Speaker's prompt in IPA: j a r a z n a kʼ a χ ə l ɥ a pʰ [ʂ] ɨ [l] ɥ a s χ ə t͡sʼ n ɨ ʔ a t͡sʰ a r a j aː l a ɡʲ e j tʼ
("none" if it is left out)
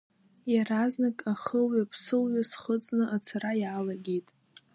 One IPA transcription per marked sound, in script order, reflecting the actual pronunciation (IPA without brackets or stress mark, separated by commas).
s, l